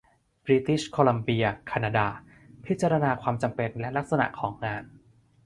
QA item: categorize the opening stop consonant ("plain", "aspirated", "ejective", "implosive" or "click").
plain